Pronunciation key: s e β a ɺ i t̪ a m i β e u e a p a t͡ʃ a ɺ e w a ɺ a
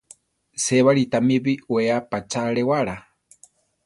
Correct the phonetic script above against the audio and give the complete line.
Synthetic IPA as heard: s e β a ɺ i t̪ a m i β i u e a p a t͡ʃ a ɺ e w a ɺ a